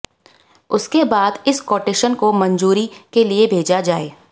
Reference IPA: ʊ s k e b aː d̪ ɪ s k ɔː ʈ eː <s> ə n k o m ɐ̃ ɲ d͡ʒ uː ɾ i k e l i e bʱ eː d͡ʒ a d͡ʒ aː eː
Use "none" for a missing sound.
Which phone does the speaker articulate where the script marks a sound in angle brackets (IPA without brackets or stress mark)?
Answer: ʃ